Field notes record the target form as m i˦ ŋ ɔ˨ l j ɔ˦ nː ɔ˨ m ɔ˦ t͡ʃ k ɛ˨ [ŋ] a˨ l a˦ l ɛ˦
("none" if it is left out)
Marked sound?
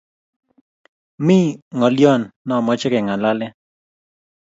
ŋ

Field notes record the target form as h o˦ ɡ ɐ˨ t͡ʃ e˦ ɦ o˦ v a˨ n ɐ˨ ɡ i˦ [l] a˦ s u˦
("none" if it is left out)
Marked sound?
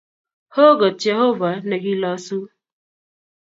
l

